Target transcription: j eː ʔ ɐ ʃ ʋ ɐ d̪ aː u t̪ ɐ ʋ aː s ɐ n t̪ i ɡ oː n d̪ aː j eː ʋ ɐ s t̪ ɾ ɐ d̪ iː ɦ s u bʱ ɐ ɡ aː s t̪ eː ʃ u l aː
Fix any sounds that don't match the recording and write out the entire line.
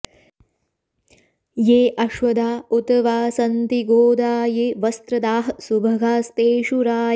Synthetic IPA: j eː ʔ ɐ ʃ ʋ ɐ d̪ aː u t̪ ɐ ʋ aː s ɐ n t̪ i ɡ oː d̪ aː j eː ʋ ɐ s t̪ ɾ ɐ d̪ aː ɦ s u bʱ ɐ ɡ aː s t̪ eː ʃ u ɾ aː